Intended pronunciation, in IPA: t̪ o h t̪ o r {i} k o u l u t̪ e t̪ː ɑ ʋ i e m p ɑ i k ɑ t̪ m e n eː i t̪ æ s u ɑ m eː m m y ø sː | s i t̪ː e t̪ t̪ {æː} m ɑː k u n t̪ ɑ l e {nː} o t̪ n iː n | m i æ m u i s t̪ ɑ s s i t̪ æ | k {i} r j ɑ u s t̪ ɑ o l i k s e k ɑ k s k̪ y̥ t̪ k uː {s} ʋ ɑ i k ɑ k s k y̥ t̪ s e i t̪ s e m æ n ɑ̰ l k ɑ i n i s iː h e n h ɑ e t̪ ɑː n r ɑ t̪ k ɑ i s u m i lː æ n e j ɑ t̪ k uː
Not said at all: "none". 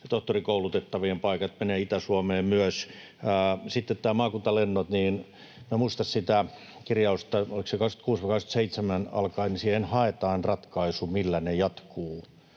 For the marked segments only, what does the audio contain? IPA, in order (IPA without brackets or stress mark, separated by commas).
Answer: i, æː, nː, i, s